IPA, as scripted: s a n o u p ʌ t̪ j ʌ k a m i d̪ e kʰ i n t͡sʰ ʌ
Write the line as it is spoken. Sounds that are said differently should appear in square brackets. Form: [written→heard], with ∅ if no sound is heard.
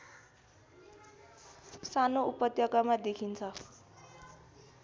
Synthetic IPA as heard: s a n o u p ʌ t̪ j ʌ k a m [i→a] d̪ e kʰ i n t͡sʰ ʌ